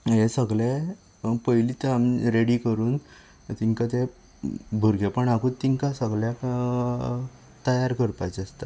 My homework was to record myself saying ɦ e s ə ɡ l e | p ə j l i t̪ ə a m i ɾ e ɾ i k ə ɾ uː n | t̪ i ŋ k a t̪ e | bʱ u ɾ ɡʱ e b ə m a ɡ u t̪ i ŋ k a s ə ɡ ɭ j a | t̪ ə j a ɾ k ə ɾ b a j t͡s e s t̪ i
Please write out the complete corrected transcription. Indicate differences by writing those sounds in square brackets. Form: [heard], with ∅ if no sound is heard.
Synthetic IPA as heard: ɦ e s ə ɡ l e | p ə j l i t̪ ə a m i ɾ e [ɽ] i k ə ɾ uː n | t̪ i ŋ k a t̪ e | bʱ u ɾ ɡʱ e [p] ə [ɳ] a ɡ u t̪ i ŋ k a s ə ɡ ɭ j a | t̪ ə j a ɾ k ə ɾ [p] a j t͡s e s t̪ [a]